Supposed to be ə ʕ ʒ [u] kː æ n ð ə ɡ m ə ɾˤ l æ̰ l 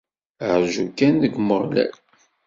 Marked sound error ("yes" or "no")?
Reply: no